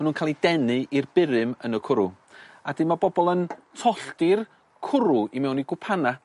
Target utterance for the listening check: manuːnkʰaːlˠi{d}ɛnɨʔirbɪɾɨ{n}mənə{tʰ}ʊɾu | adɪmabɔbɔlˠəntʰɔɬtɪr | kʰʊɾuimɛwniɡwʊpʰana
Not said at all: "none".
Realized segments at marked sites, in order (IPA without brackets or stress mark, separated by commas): d, none, kʰ